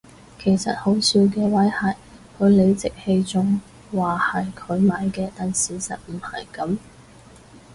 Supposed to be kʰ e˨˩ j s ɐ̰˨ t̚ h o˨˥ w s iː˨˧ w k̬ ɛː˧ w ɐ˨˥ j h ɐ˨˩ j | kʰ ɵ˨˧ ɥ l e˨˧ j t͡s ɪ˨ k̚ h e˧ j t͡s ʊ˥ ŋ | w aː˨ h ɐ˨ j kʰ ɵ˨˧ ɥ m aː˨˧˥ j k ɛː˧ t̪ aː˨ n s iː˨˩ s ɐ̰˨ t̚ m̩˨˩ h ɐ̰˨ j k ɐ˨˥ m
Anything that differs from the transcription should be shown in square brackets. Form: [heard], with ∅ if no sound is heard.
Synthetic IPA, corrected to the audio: kʰ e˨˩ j s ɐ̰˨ t̚ h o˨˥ w s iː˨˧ w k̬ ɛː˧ w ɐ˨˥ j h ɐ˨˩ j | kʰ ɵ˨˧ ɥ l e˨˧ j t͡s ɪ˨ k̚ h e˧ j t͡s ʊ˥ ŋ | w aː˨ h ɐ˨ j kʰ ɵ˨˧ ɥ m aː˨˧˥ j k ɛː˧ t̪ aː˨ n s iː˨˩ s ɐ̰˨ t̚ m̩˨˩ h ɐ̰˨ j k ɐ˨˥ m